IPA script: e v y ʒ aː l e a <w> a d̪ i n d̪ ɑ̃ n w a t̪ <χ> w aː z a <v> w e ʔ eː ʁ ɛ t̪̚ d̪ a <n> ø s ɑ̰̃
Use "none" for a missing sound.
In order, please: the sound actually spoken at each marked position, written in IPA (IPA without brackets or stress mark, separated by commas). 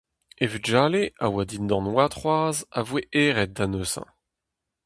w, χ, v, n